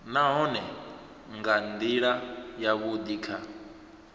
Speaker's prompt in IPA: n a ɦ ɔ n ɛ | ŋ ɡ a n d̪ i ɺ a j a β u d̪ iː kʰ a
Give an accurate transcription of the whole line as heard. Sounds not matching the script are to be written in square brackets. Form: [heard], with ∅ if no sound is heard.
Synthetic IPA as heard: n a ɦ ɔ n ɛ | ŋ ɡ a n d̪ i ɺ a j a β u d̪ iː kʰ a